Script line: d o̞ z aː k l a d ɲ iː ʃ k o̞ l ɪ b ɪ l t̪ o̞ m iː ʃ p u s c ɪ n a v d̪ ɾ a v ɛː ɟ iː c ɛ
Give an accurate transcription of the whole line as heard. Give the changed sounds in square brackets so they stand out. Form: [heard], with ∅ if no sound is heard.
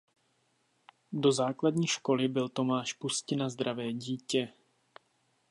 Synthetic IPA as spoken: d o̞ z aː k l a d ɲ iː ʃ k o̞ l ɪ b ɪ l t̪ o̞ m [aː] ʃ p u s c ɪ n a [z] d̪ ɾ a v ɛː ɟ iː c ɛ